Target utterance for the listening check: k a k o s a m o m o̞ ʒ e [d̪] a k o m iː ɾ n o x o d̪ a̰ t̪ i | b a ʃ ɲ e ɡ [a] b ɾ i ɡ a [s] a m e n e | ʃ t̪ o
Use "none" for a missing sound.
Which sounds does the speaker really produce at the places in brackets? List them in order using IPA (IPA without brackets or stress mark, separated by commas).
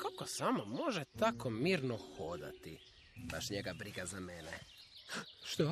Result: t̪, a, z